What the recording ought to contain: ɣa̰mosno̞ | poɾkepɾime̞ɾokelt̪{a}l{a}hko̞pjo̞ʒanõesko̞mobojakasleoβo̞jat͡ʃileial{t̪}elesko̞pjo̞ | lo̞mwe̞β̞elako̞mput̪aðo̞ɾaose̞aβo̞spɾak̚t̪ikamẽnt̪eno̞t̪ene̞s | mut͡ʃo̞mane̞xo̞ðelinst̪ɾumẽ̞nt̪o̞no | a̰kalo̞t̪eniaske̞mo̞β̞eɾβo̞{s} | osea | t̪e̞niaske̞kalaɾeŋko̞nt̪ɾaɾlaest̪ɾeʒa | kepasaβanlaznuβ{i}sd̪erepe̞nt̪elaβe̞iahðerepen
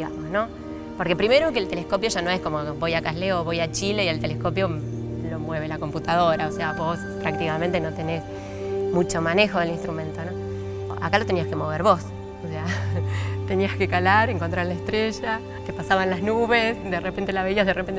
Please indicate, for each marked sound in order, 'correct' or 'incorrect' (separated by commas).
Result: incorrect, incorrect, correct, correct, incorrect